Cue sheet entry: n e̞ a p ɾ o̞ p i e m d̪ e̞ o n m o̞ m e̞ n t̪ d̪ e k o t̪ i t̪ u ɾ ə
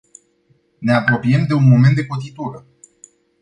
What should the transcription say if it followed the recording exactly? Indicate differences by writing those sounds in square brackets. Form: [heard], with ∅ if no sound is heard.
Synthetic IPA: n e̞ a p ɾ o̞ p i e m d̪ e̞ [u] n m o̞ m e̞ n t̪ d̪ e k o t̪ i t̪ u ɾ ə